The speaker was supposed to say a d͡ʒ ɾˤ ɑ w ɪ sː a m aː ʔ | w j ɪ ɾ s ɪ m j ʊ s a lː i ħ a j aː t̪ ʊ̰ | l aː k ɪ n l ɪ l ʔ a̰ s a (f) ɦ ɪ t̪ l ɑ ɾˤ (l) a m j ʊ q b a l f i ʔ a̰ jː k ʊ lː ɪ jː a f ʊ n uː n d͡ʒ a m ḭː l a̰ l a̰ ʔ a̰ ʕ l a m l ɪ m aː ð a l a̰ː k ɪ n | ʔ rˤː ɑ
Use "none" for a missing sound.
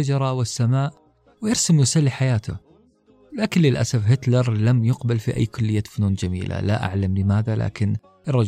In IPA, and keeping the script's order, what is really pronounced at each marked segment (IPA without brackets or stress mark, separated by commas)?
f, l